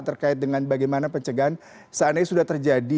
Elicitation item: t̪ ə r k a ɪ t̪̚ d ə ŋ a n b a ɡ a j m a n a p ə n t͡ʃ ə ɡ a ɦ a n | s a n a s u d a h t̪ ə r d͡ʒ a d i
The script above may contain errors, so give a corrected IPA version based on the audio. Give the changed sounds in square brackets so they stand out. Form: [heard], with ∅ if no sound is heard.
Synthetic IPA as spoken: t̪ ə r k a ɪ t̪̚ d ə ŋ a n b a ɡ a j m a n a p ə [ɲ] t͡ʃ ə ɡ a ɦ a n | s a n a s u d a h t̪ ə r d͡ʒ a d i